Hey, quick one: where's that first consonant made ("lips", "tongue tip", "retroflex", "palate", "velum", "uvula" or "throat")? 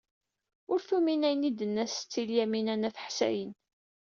tongue tip